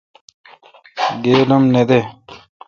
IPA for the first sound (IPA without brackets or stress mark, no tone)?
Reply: ɡ